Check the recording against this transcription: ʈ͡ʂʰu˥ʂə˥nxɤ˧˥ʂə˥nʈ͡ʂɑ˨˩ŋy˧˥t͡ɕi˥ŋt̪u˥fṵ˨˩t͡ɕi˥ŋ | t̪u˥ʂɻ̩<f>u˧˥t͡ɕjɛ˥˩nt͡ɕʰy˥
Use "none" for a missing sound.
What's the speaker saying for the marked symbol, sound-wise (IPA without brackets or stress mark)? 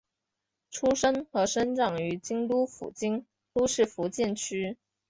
f